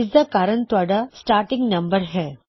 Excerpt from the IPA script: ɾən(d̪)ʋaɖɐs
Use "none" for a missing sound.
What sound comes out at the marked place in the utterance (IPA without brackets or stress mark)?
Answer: t̪